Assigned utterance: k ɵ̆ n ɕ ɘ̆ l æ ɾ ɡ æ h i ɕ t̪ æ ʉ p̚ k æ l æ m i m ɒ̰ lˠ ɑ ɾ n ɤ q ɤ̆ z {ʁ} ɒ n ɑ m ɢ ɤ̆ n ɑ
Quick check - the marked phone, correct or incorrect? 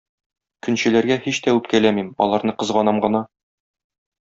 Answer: correct